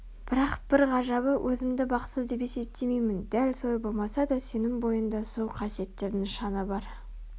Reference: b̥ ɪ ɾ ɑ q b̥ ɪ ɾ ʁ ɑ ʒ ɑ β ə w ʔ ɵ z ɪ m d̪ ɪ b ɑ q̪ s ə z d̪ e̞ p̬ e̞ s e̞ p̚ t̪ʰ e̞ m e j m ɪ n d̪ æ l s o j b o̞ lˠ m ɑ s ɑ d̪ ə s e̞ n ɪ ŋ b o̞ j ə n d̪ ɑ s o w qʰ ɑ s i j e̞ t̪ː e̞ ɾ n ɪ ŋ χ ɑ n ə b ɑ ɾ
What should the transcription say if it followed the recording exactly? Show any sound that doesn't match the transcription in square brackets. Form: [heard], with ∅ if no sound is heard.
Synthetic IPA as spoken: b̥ ɪ ɾ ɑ q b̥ ɪ ɾ ʁ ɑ ʒ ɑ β ə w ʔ ɵ z ɪ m d̪ ɪ b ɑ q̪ s ə z d̪ e̞ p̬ e̞ s e̞ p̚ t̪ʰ e̞ m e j m ɪ n d̪ æ l s o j b o̞ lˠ m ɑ s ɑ d̪ [ɑ] s e̞ n ɪ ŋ b o̞ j ə n d̪ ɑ s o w qʰ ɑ s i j e̞ t̪ː e̞ ɾ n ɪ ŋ [ʃ] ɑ n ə b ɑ ɾ